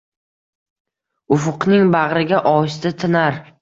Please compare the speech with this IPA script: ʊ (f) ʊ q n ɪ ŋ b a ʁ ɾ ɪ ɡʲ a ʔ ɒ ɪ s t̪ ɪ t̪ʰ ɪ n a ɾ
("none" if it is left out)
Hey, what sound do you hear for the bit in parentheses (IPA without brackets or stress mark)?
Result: f